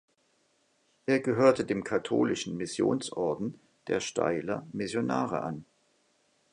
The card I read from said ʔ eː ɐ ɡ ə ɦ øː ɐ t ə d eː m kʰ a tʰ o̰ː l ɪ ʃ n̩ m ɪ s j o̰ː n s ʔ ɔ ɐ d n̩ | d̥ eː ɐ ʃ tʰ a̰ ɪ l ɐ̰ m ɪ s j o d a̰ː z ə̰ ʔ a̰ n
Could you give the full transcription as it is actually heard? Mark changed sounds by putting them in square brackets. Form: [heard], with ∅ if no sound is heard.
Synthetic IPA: ʔ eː ɐ ɡ ə ɦ øː ɐ t ə d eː m kʰ a tʰ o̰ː l ɪ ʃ n̩ m ɪ s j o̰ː n s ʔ ɔ ɐ d n̩ | d̥ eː ɐ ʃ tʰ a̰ ɪ l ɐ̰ m ɪ s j o [n] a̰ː [ʁ] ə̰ ʔ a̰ n